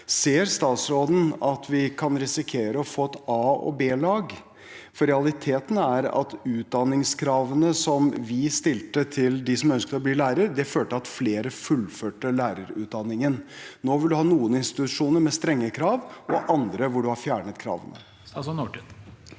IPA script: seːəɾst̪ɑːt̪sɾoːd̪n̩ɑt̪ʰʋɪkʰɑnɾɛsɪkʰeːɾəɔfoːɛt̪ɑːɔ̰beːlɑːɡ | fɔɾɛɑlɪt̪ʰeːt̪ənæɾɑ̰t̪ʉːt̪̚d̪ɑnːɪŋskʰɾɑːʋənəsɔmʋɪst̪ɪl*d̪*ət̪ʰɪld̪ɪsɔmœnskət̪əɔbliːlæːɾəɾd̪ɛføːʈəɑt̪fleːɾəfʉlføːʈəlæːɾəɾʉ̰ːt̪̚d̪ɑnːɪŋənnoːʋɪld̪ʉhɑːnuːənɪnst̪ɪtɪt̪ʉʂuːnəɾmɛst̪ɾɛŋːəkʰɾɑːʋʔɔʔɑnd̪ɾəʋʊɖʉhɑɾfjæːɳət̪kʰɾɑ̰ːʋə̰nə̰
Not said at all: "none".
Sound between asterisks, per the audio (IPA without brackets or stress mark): t̪